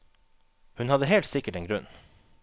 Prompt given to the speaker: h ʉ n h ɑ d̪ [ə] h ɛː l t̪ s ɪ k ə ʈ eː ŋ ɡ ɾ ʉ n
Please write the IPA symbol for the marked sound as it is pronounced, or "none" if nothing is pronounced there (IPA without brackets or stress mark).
ə